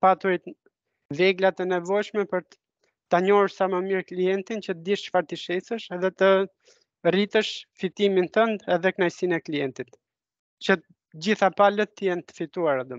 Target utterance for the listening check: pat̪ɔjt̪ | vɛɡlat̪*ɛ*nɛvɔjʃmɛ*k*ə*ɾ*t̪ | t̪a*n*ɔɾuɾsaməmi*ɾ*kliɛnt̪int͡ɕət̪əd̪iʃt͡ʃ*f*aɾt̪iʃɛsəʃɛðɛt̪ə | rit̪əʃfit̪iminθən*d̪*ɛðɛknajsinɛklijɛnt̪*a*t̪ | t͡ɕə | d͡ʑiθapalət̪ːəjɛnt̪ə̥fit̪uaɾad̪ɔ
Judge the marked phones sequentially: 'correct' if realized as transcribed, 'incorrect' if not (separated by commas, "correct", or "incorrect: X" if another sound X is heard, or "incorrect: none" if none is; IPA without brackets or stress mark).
correct, incorrect: p, correct, incorrect: ɲ, correct, correct, correct, incorrect: i